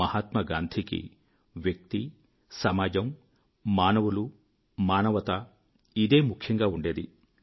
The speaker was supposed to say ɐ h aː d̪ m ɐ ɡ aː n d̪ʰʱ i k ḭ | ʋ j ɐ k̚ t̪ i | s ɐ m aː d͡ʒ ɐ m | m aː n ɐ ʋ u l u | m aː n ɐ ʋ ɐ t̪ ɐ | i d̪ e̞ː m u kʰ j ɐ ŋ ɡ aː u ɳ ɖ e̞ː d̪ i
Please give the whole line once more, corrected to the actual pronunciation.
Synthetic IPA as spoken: ɐ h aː t̪ m ɐ ɡ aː n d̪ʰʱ i k ḭ | ʋ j ɐ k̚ t̪ i | s ɐ m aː d͡ʒ ɐ m | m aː n ɐ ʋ u l u | m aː n ɐ ʋ ɐ t̪ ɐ | i d̪ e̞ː m u kʰ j ɐ ŋ ɡ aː u ɳ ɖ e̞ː d̪ i